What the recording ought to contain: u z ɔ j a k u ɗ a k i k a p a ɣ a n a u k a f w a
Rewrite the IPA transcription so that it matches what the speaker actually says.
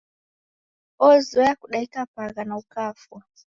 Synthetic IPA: ɔ z ɔ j a k u ɗ a i k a p a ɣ a n a u k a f w a